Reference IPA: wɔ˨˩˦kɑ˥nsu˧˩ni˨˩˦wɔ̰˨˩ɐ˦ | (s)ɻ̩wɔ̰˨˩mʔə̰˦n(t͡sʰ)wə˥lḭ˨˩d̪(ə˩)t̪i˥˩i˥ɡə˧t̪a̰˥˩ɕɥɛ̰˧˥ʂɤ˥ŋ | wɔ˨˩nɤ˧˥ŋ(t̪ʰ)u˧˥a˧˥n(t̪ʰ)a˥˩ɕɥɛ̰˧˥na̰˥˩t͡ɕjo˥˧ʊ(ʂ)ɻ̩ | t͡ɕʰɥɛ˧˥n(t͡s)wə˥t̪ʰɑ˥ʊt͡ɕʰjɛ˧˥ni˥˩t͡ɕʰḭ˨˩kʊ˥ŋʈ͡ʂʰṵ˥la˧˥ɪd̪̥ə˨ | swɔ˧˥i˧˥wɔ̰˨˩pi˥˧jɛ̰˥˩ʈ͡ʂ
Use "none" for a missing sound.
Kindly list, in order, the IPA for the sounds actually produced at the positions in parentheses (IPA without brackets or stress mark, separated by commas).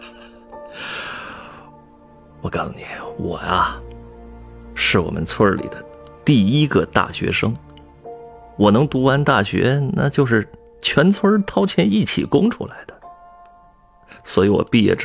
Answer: ʂ, t͡sʰ, ə˦, t̪, t̪, ʂ, t͡sʰ